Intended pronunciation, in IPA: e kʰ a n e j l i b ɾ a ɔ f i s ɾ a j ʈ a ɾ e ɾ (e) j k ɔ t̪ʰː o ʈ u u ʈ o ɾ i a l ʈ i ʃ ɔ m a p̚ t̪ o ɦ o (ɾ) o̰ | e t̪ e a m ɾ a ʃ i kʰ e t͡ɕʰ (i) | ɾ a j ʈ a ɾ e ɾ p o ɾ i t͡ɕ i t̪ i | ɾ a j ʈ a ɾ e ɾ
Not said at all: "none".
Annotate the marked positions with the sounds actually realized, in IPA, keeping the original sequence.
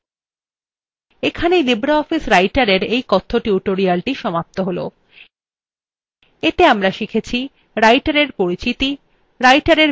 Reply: e, l, i

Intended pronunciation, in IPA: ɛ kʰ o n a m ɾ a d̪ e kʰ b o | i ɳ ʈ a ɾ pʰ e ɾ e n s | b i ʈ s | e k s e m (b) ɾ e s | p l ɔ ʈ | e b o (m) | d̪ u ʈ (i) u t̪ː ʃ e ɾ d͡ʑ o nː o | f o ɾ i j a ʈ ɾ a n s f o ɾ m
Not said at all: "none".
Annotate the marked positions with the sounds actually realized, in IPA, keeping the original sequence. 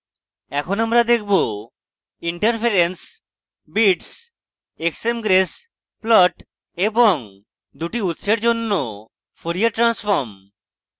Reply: ɡ, ŋ, i

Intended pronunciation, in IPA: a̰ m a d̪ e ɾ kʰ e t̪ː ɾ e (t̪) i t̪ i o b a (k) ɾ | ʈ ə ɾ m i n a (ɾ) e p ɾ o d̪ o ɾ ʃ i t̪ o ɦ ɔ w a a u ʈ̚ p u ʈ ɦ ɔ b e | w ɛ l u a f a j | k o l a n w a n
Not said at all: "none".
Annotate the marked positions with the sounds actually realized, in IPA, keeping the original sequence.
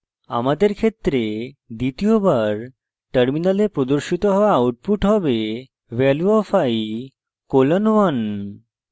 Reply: d̪, none, l

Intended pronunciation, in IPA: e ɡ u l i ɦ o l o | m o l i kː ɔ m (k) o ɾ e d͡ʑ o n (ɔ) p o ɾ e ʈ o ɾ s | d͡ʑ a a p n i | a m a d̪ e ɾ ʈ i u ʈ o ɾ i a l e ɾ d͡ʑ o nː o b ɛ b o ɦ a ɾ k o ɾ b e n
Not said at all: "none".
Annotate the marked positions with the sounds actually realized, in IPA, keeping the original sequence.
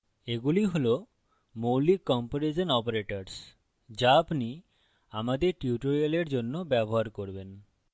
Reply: p, ɔ

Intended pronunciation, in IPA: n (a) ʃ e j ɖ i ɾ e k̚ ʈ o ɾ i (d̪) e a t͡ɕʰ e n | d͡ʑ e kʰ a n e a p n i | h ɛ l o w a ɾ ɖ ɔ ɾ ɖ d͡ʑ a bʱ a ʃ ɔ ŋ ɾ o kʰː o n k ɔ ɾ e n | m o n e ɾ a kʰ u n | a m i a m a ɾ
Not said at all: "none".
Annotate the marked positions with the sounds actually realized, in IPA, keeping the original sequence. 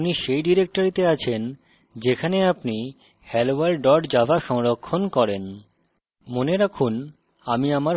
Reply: i, t̪

